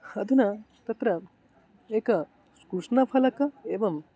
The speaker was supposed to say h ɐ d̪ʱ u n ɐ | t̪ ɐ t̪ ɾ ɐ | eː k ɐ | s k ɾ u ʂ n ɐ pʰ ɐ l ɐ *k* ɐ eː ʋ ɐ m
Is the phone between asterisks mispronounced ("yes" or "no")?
no